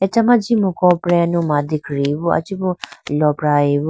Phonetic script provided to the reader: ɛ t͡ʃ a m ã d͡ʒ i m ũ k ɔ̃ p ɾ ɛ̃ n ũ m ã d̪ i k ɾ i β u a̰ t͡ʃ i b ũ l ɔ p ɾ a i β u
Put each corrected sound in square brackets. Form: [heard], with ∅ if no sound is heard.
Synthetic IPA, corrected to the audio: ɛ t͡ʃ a m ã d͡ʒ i m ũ k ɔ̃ p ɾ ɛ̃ n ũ m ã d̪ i k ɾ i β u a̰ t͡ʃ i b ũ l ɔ p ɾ a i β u